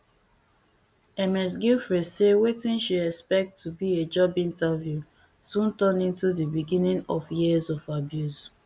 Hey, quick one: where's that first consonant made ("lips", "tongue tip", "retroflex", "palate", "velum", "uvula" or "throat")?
lips